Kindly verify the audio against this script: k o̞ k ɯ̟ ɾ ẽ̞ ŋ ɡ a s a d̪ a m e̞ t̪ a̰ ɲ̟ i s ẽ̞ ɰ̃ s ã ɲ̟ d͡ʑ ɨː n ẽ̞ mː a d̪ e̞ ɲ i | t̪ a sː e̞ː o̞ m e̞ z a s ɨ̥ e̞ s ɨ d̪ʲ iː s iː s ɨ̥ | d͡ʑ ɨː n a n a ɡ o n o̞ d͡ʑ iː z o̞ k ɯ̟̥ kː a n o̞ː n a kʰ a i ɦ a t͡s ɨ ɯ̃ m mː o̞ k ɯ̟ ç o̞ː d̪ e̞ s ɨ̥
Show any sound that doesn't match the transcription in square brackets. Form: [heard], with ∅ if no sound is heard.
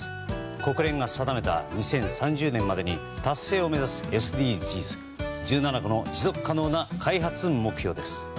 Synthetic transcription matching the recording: k o̞ k ɯ̟ ɾ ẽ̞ ŋ ɡ a s a d̪ a m e̞ t̪ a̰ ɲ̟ i s ẽ̞ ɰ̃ s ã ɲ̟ d͡ʑ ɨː n ẽ̞ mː a d̪ e̞ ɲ i | t̪ a sː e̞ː o̞ m e̞ z a s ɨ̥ e̞ s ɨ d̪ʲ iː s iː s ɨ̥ | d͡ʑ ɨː n a n a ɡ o n o̞ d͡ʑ [i] z o̞ k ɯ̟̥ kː a n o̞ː n a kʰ a i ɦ a t͡s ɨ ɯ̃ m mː o̞ k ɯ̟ ç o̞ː d̪ e̞ s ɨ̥

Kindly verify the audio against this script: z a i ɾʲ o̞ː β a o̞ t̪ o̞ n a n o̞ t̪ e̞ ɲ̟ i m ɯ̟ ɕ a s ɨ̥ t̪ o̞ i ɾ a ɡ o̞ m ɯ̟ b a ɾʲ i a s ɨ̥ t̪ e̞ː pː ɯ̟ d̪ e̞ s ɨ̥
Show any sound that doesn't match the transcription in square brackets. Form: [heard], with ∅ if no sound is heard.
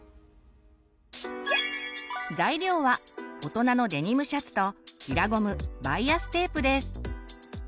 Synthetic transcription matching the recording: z a i ɾʲ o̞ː β a o̞ t̪ o̞ n a n o̞ [d̪] e̞ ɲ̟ i m ɯ̟ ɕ a [t͡s] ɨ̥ t̪ o̞ i ɾ a ɡ o̞ m ɯ̟ b a [∅] i a s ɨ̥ t̪ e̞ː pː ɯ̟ d̪ e̞ s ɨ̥

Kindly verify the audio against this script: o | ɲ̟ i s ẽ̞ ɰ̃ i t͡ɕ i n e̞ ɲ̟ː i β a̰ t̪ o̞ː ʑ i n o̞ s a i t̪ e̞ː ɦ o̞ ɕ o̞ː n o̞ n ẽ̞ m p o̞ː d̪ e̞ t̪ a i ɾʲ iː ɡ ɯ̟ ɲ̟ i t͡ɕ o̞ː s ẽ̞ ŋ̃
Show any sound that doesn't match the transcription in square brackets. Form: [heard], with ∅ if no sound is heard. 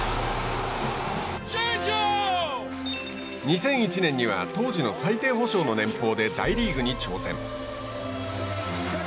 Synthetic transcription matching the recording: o | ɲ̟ i s ẽ̞ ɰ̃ i t͡ɕ i n [ẽ̞] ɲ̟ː i β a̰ t̪ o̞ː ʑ i n o̞ s a i t̪ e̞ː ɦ o̞ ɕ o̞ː n o̞ n ẽ̞ m p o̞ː d̪ e̞ [d̪] a i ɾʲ iː ɡ ɯ̟ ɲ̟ i t͡ɕ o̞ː s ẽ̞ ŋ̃

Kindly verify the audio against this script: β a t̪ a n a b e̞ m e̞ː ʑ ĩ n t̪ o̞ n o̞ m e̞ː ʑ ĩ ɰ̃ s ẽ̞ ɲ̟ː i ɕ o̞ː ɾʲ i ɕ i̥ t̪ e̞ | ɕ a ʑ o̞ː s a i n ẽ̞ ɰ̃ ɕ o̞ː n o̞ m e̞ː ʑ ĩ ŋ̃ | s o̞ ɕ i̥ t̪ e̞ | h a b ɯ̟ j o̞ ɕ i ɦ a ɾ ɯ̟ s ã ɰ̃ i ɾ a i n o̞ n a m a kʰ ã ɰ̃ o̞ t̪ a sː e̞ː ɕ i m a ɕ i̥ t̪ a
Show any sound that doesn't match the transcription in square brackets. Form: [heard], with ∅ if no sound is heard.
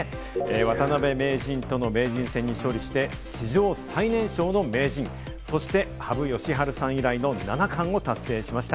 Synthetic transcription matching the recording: β a t̪ a n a b e̞ m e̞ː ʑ ĩ n t̪ o̞ n o̞ m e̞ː ʑ ĩ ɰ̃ s ẽ̞ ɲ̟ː i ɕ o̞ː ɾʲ i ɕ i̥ t̪ e̞ | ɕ [i] ʑ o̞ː s a i n ẽ̞ ɰ̃ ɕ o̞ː n o̞ m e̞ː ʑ ĩ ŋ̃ | s o̞ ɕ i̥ t̪ e̞ | h a b ɯ̟ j o̞ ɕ i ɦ a ɾ ɯ̟ s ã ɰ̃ i ɾ a i n o̞ n a [n] a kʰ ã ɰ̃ o̞ t̪ a sː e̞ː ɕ i m a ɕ i̥ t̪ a

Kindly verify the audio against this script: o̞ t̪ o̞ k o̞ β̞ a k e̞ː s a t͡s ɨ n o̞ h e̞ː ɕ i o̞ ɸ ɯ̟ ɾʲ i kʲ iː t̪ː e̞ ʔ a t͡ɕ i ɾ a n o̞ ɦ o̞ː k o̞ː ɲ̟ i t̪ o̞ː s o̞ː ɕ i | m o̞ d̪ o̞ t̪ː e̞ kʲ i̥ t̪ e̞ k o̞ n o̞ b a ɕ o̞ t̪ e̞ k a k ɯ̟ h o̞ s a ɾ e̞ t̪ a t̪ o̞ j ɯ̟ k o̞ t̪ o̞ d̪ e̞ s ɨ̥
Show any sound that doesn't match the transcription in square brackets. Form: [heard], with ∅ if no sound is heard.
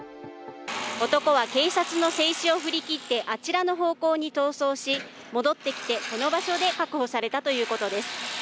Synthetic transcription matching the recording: o̞ t̪ o̞ k o̞ β̞ a k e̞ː s a t͡s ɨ n o̞ [s] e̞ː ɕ i o̞ ɸ ɯ̟ ɾʲ i kʲ [i] t̪ː e̞ ʔ a t͡ɕ i ɾ a n o̞ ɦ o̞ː k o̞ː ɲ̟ i t̪ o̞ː s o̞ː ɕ i | m o̞ d̪ o̞ t̪ː e̞ kʲ i̥ t̪ e̞ k o̞ n o̞ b a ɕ o̞ [d̪] e̞ k a k ɯ̟ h o̞ s a ɾ e̞ t̪ a t̪ o̞ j [ɯ̟ː] k o̞ t̪ o̞ d̪ e̞ s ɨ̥

